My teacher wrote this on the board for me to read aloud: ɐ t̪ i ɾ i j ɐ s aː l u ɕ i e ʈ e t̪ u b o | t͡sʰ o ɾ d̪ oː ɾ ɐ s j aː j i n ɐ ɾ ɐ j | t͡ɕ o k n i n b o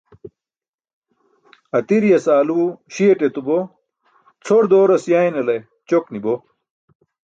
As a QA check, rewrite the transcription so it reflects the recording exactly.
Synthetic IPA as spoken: ɐ t̪ i ɾ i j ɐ s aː l u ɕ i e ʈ e t̪ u b o | t͡sʰ o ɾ d̪ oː ɾ ɐ s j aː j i n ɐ l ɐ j | t͡ɕ o k n i b o